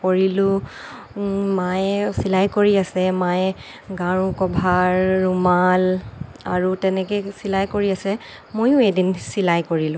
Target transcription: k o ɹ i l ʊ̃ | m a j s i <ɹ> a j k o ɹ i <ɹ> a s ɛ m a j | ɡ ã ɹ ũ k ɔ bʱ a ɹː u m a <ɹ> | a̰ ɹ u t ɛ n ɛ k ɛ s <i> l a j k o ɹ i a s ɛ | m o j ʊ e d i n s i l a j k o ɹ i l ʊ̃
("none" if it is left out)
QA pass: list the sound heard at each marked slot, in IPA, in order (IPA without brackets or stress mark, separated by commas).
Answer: l, none, l, i